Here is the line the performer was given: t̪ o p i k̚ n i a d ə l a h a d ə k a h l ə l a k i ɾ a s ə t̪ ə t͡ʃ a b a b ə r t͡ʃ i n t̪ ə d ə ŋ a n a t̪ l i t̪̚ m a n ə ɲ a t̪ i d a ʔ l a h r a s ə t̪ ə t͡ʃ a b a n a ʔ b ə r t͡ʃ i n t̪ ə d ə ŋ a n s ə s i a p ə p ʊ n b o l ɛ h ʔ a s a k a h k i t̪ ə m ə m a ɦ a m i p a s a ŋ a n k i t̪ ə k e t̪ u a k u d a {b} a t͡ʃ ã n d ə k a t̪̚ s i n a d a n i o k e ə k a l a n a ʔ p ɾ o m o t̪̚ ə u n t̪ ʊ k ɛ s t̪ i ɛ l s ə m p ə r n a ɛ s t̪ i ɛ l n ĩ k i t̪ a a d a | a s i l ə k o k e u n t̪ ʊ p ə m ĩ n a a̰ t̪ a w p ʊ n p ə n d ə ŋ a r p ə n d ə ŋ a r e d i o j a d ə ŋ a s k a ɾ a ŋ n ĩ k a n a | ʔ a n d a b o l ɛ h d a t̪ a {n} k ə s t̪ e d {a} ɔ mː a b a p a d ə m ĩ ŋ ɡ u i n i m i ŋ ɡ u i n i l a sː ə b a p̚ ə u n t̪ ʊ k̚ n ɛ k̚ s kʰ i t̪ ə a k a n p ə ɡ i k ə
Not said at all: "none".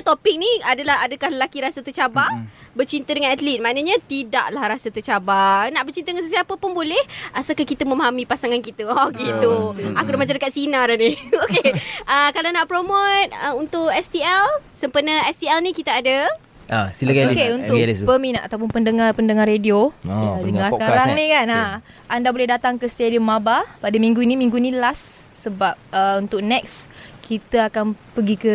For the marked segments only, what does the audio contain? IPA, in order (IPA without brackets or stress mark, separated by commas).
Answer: m, ŋ, i